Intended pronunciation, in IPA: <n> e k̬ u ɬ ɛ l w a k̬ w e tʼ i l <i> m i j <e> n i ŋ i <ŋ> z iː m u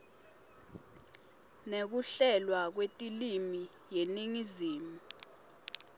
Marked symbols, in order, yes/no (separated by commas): yes, yes, yes, no